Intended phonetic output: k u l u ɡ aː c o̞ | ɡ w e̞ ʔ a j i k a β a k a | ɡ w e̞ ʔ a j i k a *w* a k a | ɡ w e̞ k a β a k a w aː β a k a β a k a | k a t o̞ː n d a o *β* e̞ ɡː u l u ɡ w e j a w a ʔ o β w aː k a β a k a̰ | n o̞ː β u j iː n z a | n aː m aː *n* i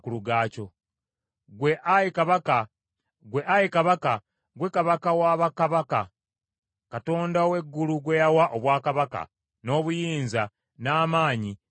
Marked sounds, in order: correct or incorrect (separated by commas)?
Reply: incorrect, incorrect, incorrect